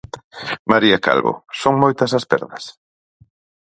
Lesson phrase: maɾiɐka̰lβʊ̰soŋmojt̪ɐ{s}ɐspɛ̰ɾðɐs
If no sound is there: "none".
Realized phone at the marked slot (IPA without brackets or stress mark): s